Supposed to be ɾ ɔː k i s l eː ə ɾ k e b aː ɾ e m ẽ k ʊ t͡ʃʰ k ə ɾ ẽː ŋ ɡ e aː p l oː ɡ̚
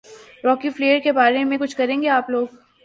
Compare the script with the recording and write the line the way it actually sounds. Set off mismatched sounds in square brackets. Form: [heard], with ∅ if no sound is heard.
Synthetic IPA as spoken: ɾ ɔː k i [f] l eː ə ɾ k e b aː ɾ e m ẽ k ʊ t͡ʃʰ k [ɐ] ɾ ẽː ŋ ɡ e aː p l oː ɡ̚